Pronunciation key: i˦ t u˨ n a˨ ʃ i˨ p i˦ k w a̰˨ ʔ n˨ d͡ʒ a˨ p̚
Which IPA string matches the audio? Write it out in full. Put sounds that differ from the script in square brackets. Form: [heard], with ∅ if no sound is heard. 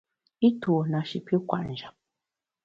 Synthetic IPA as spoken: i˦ t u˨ n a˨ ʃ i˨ p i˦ k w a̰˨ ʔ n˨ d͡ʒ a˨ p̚